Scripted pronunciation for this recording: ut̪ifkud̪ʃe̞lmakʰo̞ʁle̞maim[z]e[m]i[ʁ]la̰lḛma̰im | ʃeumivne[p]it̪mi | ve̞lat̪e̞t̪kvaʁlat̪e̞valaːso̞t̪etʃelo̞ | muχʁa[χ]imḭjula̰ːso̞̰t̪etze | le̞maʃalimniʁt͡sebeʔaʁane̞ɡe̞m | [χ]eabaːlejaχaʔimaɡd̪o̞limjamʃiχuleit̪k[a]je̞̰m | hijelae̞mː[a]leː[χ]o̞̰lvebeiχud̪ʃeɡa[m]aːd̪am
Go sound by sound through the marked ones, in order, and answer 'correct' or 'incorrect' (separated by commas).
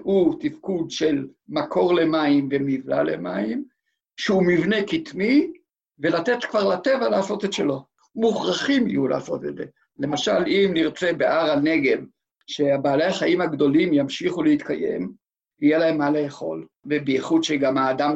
incorrect, correct, incorrect, incorrect, correct, incorrect, correct, correct, correct, correct